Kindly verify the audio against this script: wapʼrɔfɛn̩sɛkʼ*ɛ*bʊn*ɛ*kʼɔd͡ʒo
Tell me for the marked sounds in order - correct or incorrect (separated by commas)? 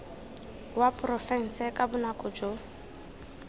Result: incorrect, incorrect